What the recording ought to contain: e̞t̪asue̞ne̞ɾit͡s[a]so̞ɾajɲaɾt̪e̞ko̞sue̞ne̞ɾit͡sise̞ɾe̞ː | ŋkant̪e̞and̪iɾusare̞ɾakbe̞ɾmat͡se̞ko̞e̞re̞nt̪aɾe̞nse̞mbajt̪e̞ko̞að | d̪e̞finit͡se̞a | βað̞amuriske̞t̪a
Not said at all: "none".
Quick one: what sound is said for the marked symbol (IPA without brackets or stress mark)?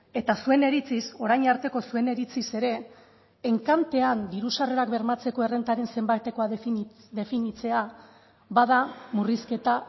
i